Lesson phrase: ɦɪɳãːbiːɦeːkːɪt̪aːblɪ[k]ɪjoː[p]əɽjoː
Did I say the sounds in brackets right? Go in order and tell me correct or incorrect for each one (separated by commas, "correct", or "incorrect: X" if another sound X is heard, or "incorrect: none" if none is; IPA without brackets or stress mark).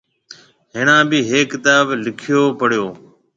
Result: incorrect: kʰ, correct